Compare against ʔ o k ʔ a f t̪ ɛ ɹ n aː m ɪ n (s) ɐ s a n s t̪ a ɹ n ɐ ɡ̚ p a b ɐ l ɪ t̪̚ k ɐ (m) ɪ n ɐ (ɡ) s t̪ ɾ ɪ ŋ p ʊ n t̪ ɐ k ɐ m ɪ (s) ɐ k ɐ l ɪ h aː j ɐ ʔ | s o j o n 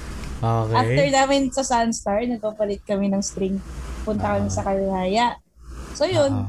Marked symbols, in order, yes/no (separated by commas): yes, yes, no, yes